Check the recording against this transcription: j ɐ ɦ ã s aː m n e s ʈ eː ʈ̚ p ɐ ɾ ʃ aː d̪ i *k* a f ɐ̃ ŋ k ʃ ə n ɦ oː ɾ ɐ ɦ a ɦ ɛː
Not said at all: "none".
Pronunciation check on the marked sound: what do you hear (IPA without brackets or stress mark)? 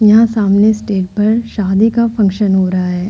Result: k